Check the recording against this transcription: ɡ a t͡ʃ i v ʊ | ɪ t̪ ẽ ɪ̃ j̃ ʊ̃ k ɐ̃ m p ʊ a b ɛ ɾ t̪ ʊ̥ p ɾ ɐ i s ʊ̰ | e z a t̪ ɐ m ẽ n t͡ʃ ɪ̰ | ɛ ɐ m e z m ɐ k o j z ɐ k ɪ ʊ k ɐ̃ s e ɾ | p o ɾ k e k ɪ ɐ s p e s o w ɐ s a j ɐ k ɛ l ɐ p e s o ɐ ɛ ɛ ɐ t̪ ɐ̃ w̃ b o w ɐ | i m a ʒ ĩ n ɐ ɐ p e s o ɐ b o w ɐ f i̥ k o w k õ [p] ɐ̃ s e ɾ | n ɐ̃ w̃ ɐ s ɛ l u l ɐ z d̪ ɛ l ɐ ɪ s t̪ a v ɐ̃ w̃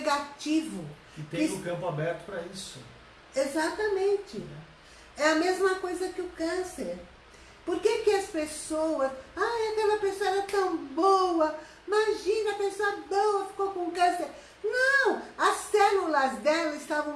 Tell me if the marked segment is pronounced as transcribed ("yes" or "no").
no